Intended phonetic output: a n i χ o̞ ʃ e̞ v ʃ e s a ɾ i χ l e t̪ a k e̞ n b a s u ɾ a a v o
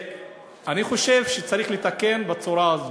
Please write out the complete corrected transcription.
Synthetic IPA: a n i χ o̞ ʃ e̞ v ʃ e t͡s a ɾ i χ l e t̪ a k e̞ n b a t͡s u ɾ a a z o

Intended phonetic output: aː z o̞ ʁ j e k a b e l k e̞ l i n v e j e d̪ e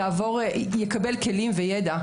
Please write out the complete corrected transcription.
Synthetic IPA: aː v o̞ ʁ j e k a b e l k e̞ l i m v e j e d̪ a

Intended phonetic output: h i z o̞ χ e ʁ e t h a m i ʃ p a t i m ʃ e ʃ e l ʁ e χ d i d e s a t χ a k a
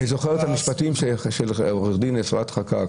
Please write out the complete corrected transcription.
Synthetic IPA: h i z o̞ χ e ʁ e t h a m i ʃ p a t i m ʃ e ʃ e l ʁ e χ d i n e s a t χ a k a

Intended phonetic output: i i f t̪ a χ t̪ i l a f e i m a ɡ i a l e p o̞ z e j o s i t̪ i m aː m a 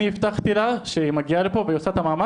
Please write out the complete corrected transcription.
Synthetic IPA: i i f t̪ a χ t̪ i l a ʃ e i m a ɡ i a l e p o̞ v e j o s a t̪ a m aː m a

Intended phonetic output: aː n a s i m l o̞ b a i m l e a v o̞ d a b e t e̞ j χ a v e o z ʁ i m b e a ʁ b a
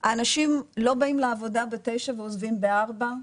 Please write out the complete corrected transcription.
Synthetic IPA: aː n a ʃ i m l o̞ b a i m l e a v o̞ d a b e t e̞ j ʃ a v e o z v i m b e a ʁ b a

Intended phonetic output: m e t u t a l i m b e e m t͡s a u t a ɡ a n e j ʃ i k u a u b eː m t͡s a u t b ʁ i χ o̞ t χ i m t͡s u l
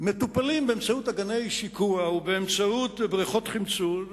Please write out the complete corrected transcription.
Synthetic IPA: m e t u p a l i m b e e m t͡s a u t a ɡ a n e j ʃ i k u a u b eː m t͡s a u t b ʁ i χ o̞ t χ i m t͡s u l

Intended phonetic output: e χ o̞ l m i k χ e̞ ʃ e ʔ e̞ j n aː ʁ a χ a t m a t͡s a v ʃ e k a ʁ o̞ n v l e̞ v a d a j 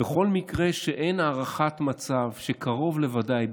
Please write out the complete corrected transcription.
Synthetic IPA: e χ o̞ l m i k ʁ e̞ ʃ e ʔ e̞ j n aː ʁ a χ a t m a t͡s a v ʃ e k a ʁ o̞ v l e̞ v a d a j

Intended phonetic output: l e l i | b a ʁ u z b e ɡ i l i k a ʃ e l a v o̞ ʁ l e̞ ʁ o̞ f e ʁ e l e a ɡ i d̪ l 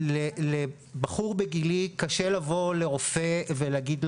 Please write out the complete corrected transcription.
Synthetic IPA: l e l e | b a χ u ʁ b e ɡ i l i k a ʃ e l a v o̞ l e̞ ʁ o̞ f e v e l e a ɡ i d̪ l

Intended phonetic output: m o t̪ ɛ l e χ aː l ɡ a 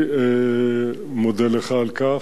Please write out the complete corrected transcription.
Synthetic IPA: m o d̪ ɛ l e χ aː l k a

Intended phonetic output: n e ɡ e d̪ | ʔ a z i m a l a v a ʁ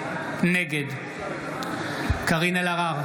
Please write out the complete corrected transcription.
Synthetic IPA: n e ɡ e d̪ | k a ʁ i n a l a ʁ a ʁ

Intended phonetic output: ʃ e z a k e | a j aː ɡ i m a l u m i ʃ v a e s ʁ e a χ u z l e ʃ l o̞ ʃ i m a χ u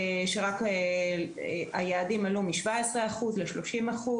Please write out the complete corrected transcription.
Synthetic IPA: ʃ e ʁ a k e | a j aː d i m a l u m i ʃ v a e s ʁ e a χ u z l e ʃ l o̞ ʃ i m a χ u

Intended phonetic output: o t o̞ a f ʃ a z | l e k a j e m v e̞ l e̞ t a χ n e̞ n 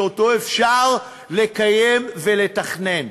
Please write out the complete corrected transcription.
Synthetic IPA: o t o̞ e f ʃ a ʁ | l e k a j e m v e̞ l e̞ t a χ n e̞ n

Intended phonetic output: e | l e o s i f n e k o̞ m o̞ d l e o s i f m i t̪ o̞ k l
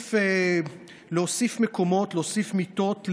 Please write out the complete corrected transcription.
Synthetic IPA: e | l e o s i f m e k o̞ m o̞ t l e o s i f m i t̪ o̞ t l

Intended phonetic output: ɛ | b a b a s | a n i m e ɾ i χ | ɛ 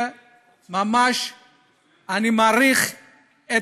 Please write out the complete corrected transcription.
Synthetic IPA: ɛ | m a m a ʃ | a n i m a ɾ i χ | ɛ

